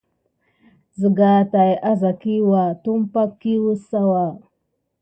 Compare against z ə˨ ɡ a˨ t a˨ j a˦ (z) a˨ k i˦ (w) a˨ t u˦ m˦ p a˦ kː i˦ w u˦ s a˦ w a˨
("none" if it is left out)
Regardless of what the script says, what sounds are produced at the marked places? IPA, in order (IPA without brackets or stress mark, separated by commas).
z, w